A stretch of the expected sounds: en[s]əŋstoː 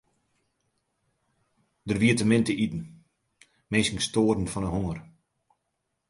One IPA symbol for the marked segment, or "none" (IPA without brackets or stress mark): s